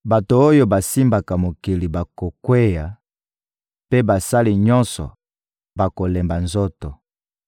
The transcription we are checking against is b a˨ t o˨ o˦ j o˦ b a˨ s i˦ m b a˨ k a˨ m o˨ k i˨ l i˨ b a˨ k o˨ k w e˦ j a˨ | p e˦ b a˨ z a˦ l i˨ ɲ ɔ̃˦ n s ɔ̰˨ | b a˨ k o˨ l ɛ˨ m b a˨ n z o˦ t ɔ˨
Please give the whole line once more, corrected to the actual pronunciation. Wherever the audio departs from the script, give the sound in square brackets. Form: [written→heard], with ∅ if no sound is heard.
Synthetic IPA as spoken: b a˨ t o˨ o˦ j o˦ b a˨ s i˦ m b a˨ k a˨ m o˨ k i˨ l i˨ b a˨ k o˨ k w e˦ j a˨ | p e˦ b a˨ [z→s] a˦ l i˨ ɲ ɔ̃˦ n s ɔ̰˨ | b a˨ k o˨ l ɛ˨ m b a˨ n z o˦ t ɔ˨